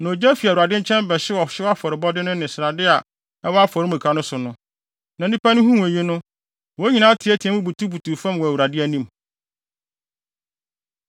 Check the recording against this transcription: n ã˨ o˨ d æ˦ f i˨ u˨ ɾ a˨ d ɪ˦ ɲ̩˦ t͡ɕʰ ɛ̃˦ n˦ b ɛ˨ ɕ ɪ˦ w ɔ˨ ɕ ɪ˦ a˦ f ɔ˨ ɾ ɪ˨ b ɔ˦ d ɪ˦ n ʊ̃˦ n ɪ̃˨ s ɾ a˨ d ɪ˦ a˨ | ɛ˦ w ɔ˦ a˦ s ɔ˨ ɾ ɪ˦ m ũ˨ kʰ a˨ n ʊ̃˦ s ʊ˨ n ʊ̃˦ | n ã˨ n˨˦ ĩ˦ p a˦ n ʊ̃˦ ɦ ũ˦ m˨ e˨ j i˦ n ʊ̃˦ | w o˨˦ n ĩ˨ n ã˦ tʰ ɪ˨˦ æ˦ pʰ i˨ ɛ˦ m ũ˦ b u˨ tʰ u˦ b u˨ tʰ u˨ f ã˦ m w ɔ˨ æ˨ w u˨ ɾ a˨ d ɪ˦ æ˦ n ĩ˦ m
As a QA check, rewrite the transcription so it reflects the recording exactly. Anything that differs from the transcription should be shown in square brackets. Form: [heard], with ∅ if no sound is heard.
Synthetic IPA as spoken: n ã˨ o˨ [d͡ʑ] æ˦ f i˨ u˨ ɾ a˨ d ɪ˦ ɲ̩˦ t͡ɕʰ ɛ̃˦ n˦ b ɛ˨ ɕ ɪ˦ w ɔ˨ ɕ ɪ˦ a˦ f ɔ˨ ɾ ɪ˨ b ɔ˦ d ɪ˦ n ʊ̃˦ n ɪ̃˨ s ɾ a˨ d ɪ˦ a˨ | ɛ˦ w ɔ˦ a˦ [f] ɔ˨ ɾ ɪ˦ m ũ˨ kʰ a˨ n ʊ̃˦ s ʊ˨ n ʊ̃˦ | n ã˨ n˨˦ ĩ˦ p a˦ n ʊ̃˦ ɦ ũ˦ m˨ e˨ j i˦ n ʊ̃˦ | w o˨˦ [ɲ] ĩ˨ n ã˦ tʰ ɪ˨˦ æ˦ [tʰ] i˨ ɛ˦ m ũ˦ b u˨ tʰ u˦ b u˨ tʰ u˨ f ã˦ m w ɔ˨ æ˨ w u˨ ɾ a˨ d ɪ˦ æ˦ n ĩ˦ m

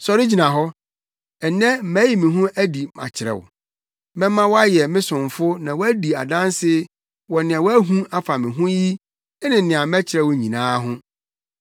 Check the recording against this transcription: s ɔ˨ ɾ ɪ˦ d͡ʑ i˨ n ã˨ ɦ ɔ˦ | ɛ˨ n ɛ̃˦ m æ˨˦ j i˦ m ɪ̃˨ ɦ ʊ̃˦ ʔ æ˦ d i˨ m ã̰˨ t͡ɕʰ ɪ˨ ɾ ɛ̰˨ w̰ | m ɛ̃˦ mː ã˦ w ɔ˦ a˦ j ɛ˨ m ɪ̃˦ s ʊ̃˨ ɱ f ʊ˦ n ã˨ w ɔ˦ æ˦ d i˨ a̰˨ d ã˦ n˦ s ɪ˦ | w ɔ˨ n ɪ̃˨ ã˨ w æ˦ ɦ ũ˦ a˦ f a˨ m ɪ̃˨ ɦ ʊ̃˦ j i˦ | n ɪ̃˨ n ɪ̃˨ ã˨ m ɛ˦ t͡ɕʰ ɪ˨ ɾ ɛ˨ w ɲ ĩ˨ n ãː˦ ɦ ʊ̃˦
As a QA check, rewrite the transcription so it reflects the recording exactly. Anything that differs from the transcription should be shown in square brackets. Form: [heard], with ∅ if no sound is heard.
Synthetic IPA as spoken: s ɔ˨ ɾ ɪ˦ d͡ʑ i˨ n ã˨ ɦ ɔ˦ | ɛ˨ n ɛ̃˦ m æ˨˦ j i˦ m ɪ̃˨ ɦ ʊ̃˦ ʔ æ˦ d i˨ m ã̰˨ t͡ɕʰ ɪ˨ ɾ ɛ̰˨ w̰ | m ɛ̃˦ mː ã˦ w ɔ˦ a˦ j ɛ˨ m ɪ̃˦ s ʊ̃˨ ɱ f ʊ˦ n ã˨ w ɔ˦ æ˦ d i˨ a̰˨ d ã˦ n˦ s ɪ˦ | w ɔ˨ n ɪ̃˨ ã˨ w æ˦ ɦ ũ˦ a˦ f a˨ m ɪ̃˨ ɦ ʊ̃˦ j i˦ | n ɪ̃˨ n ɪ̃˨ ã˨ m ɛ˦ t͡ɕʰ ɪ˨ ɾ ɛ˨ w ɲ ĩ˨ n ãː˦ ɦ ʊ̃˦

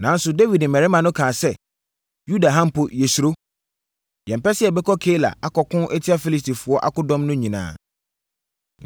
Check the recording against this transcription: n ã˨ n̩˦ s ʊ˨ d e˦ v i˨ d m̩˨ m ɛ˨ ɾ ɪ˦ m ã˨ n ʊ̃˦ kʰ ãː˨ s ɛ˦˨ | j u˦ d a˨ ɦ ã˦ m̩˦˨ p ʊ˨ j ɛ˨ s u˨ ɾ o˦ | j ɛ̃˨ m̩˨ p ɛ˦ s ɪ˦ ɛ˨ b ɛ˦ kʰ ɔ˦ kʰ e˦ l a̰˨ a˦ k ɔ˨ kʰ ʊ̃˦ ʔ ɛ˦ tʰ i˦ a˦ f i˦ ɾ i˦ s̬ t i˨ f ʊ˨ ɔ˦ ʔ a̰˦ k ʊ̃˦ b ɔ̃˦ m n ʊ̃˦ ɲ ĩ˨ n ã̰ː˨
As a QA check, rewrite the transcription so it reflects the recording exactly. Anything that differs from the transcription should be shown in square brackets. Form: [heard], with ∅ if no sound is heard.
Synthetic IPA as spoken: n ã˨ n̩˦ s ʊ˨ d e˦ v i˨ d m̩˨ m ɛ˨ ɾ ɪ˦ m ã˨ n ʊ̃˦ kʰ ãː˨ s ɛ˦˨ | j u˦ d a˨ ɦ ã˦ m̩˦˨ p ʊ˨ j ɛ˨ s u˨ ɾ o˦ | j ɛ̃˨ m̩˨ p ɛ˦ s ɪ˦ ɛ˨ b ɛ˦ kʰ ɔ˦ kʰ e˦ l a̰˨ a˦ k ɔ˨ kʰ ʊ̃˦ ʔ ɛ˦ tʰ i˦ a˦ f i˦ [l] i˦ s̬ t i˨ f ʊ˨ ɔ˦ ʔ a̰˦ k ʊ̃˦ [d] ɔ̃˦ m n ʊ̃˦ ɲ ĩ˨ n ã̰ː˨

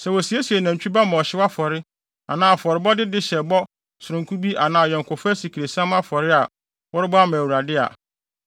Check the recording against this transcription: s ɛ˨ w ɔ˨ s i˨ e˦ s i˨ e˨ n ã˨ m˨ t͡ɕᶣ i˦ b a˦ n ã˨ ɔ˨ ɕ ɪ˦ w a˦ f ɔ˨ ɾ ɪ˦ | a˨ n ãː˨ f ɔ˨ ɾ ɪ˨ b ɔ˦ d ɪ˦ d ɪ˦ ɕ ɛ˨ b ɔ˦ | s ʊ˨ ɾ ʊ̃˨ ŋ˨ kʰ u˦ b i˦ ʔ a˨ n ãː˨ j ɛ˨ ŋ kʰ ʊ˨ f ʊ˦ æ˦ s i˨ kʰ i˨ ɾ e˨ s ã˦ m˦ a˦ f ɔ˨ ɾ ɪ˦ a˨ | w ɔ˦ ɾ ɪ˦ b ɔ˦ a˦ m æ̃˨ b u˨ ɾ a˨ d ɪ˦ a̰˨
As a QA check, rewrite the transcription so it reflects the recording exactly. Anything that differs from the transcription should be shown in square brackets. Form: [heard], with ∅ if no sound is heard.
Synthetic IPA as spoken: s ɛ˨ w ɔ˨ s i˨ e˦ s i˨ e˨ n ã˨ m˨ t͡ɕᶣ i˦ b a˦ [m] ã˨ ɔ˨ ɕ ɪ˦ w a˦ f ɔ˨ ɾ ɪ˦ | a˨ n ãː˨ f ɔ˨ ɾ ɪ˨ b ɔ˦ d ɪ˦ d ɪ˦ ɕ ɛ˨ b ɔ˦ | s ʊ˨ ɾ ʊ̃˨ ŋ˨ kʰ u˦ b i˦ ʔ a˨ n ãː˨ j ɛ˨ ŋ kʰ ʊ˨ f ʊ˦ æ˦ s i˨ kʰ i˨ ɾ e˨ s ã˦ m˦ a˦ f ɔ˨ ɾ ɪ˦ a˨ | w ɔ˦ ɾ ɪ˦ b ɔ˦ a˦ m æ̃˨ [w] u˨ ɾ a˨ d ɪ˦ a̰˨

